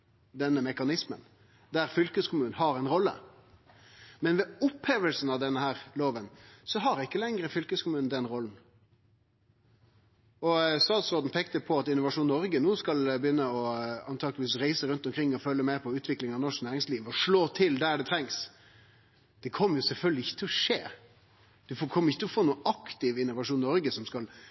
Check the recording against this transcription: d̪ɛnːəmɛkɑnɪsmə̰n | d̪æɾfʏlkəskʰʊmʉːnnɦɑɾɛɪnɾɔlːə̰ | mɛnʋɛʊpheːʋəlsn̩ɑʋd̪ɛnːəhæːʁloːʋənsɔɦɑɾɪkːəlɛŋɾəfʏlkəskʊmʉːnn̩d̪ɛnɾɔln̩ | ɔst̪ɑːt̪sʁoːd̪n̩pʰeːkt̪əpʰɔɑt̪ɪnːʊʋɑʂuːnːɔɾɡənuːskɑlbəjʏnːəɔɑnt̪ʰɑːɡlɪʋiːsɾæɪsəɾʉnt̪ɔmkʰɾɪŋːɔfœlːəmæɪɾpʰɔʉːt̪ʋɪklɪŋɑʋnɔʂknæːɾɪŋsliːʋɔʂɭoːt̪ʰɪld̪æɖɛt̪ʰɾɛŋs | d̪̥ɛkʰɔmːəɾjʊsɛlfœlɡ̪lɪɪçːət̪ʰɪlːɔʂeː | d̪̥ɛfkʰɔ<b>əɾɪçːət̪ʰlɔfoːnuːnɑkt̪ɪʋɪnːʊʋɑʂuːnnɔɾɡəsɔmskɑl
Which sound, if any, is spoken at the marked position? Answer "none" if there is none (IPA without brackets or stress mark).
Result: m